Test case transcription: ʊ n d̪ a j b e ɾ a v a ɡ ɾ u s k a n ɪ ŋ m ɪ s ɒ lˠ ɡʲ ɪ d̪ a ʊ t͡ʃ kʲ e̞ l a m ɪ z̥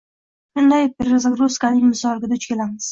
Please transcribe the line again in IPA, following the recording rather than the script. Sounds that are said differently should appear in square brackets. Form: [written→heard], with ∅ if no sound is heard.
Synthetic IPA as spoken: ʊ n d̪ a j [b→p] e ɾ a [v→z] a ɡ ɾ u s k a n ɪ ŋ m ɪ s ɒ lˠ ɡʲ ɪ d̪ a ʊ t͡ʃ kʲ e̞ l a m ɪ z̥